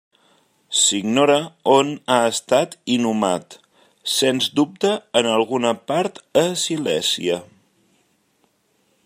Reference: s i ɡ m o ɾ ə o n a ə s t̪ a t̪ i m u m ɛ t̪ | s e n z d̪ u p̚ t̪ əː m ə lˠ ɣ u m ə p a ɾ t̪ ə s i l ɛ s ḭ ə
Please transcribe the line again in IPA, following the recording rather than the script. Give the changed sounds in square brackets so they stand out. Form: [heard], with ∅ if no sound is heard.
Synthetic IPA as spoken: s i ɡ [n] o ɾ ə o n a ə s t̪ a t̪ i [n] u m [a] t̪ | s e n z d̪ u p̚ t̪ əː [n] ə lˠ ɣ u [n] ə p a ɾ t̪ ə s i l ɛ s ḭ ə